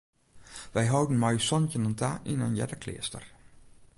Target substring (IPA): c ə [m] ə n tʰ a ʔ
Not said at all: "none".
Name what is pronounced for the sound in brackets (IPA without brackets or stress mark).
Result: n